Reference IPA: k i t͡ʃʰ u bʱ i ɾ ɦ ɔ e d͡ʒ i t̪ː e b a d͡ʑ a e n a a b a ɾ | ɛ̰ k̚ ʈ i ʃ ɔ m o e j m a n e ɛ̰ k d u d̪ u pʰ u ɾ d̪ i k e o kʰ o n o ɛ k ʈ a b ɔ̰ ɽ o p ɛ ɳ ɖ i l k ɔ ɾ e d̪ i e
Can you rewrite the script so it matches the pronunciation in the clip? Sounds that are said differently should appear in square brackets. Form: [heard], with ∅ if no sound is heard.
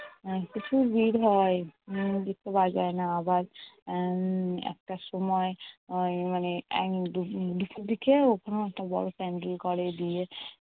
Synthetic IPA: k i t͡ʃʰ u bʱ i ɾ ɦ ɔ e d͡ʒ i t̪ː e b a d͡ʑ a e n a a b a ɾ | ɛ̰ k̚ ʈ [a] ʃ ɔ m [ɔ] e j m a n e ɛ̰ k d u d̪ u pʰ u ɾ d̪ i k e o kʰ o n o ɛ k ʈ a b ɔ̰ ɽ o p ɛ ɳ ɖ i l k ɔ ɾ e d̪ i e